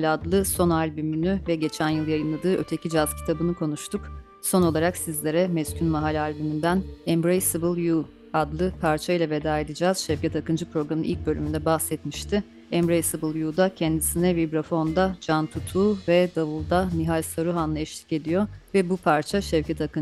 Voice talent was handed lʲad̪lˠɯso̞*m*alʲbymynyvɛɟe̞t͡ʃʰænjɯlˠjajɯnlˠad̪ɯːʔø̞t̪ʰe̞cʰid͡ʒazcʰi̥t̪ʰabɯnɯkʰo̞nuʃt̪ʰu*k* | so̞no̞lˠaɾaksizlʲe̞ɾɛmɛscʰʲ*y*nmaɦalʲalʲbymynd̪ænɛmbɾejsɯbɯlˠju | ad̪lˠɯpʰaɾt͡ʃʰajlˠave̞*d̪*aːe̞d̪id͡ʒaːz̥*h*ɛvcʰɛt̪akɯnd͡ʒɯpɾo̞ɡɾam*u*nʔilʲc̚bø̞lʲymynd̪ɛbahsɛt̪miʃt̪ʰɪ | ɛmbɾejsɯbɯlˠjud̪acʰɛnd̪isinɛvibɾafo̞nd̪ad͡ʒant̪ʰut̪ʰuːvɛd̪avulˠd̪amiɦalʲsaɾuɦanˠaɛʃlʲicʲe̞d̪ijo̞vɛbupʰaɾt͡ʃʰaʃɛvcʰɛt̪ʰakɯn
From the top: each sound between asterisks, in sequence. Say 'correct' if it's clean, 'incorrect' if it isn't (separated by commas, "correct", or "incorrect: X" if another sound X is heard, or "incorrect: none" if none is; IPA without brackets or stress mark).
incorrect: n, correct, correct, correct, incorrect: ʃ, incorrect: ɯ